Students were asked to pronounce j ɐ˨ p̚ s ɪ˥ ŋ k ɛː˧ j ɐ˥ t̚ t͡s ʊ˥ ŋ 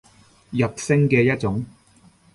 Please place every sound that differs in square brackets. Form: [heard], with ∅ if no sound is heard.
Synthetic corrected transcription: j ɐ˨ p̚ s ɪ˥ ŋ k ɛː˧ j ɐ˥ t̚ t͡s [ʊ˨˥] ŋ